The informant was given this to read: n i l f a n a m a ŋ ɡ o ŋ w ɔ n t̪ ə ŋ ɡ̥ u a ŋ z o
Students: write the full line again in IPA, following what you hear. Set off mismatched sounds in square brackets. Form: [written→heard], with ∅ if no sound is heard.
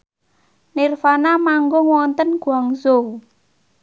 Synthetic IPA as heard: n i [l→r] f a n a m a ŋ ɡ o ŋ w ɔ n t̪ ə [ŋ→n] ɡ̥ u a ŋ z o